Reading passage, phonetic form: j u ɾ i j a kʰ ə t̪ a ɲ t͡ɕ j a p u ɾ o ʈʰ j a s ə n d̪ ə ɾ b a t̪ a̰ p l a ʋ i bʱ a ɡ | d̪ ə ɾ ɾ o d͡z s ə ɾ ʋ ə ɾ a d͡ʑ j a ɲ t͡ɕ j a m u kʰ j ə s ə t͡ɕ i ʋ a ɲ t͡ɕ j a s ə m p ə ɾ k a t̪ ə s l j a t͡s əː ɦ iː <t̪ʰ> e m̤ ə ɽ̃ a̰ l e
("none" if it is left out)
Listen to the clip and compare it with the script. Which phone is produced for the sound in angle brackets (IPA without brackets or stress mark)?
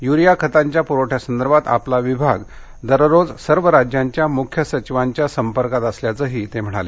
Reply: t̪